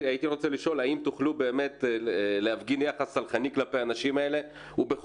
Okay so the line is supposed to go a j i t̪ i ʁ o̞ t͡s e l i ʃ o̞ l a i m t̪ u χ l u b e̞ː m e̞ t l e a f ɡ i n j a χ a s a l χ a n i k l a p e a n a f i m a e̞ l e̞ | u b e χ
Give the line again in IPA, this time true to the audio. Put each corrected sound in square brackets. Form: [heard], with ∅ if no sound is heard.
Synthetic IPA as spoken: a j i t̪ i ʁ o̞ t͡s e l i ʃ o̞ l a i m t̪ u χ l u b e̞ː m e̞ t l e a f ɡ i n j a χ a s a l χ a n i k l a p e a n a [ʃ] i m a e̞ l e̞ | u b e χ

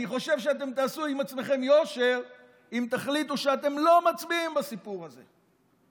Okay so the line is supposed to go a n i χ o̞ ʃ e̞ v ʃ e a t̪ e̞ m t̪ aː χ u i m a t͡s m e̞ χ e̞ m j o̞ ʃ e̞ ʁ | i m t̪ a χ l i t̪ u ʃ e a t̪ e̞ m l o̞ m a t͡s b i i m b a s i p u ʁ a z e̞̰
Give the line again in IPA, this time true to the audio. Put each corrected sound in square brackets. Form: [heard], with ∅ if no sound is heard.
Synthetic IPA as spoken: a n i χ o̞ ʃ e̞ v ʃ e a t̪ e̞ m t̪ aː [s] u i m a t͡s m e̞ χ e̞ m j o̞ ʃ e̞ ʁ | i m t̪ a χ l i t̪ u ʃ e a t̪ e̞ m l o̞ m a t͡s b i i m b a s i p u ʁ a z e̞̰

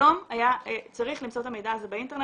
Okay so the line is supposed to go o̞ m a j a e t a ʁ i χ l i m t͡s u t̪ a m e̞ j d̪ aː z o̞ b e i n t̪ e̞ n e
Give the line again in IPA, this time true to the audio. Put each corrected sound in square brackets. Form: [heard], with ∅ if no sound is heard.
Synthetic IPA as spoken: o̞ m a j a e [t͡s] a ʁ i χ l i m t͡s [o] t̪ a m e̞ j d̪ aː z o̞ b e i n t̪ e̞ n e

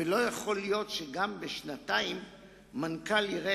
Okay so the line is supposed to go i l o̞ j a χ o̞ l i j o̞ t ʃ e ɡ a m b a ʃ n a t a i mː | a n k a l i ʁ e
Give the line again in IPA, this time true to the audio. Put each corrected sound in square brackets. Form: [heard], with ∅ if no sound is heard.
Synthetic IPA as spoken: [e] l o̞ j a χ o̞ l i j o̞ t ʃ e ɡ a m b [e] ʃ n a t a i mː | a n k a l i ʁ e

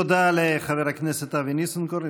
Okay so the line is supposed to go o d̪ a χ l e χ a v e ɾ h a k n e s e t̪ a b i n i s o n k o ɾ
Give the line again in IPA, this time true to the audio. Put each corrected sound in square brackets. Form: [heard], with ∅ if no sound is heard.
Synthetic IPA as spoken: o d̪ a [∅] l e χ a v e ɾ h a k n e s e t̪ a [v] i n i s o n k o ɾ

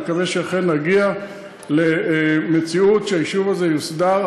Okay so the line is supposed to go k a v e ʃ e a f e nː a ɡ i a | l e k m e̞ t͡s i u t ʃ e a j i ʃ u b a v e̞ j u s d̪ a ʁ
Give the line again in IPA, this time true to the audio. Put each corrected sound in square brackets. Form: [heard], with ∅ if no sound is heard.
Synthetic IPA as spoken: k a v e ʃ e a [χ] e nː a ɡ i a | l e [∅] m e̞ t͡s i u t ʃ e a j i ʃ u [v] a [z] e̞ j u s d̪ a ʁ

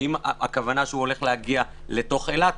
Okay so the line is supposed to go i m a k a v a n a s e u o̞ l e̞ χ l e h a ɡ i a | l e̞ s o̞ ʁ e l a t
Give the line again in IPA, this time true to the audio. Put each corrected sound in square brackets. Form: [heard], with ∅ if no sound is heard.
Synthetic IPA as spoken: i m a k a v a n a [ʃ] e u o̞ l e̞ χ l e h a ɡ i a | l e̞ [t] o̞ [χ] e l a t

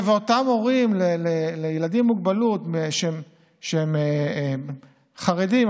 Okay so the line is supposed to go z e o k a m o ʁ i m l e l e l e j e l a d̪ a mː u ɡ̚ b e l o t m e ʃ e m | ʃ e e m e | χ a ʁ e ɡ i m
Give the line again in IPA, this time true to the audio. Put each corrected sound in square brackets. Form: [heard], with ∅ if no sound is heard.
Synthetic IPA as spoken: [v] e o [t] a m o ʁ i m l e l e l e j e l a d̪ [i] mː u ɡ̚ b [a] l [u] t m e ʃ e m | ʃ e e m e | χ a ʁ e [d] i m

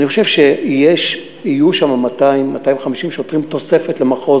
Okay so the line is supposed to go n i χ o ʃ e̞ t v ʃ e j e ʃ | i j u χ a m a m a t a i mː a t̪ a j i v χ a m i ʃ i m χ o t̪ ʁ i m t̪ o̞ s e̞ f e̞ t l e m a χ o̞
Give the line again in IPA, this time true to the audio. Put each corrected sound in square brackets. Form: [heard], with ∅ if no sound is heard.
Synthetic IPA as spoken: n i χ o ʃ e̞ [∅] v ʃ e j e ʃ | i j u [ʃ] a m a m a t a i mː a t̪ a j i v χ a m i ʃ i m [ʃ] o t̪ ʁ i m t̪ o̞ s e̞ f e̞ t l e m a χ o̞

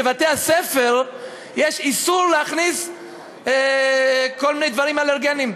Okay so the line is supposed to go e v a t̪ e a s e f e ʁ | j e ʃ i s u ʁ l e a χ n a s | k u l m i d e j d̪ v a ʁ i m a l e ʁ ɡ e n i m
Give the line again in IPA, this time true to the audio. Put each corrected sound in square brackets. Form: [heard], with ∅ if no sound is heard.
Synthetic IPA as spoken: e v a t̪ e a s e f e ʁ | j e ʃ i s u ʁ l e a χ n [i] s | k [o] l m i [n] e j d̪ v a ʁ i m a l e ʁ ɡ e n i m

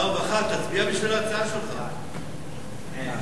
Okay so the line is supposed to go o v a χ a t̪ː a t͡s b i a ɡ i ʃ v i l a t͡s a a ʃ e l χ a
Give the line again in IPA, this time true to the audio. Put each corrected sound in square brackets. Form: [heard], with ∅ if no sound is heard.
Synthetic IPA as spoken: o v a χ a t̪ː a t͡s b i a [b] i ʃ v i l a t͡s a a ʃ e l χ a

